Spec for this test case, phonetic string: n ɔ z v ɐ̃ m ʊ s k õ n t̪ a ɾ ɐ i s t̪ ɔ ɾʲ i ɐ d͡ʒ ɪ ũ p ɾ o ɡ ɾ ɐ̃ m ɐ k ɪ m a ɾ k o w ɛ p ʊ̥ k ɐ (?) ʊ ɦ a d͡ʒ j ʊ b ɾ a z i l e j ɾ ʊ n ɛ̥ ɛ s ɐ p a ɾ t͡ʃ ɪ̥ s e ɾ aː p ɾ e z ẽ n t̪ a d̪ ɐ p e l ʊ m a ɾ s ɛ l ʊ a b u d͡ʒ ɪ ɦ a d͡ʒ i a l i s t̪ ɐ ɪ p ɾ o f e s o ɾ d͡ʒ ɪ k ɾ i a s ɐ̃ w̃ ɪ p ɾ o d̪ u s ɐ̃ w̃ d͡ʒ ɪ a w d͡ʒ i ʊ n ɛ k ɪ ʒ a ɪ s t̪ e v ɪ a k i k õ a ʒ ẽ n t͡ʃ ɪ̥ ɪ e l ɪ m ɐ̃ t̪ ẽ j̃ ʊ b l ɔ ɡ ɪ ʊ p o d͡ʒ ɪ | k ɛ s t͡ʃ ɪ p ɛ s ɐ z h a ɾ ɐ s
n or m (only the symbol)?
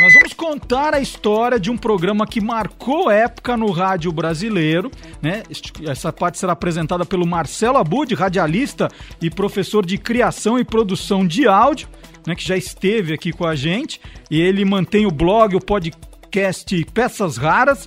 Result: n